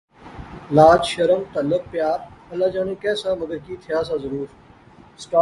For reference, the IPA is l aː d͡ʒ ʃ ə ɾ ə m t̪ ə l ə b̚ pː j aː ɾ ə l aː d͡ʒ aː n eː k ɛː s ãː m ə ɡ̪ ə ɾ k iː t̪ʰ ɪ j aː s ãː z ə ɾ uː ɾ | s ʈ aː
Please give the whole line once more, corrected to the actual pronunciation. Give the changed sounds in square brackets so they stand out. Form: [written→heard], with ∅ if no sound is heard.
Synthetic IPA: l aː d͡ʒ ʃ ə ɾ ə m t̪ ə l ə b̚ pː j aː ɾ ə l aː d͡ʒ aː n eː k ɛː s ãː m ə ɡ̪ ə ɾ k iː t̪ʰ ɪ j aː s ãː z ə ɾ uː ɾ | s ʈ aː